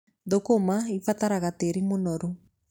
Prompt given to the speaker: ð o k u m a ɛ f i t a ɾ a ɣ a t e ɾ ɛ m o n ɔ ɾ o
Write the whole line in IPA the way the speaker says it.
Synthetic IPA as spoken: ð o k o m a i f a t a ɾ a ɣ a t e ɾ i m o n ɔ ɾ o